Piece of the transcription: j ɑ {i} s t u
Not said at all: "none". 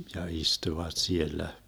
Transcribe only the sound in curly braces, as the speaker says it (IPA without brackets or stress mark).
i